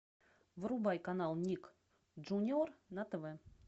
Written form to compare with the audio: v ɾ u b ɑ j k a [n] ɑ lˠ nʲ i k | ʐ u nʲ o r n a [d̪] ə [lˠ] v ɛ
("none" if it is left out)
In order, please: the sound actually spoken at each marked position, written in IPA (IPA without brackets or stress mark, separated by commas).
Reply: n, t̪, none